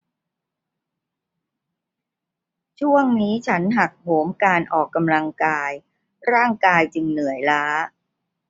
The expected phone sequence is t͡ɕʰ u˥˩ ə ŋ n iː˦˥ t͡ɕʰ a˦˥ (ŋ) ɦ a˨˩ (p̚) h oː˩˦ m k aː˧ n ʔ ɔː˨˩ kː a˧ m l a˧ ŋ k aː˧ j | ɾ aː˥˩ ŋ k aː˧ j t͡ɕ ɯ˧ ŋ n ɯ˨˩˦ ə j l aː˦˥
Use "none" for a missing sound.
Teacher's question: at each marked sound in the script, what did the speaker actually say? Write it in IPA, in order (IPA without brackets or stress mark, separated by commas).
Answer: n, k̚